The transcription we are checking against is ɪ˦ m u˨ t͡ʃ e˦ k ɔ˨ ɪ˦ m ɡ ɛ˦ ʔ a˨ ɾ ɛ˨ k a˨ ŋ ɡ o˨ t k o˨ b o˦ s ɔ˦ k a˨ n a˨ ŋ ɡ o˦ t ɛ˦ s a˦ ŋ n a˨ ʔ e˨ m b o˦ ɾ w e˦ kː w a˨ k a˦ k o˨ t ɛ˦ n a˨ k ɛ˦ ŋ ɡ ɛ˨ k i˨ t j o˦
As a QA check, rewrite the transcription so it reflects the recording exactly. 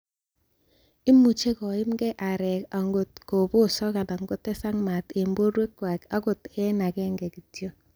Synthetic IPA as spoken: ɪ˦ m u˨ t͡ʃ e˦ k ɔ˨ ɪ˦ m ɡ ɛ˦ ʔ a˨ ɾ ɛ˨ k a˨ ŋ ɡ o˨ t k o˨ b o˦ s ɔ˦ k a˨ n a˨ ŋ ɡ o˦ t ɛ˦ s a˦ ŋ m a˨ t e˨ m b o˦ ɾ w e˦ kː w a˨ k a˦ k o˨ t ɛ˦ n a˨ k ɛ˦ ŋ ɡ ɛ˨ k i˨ t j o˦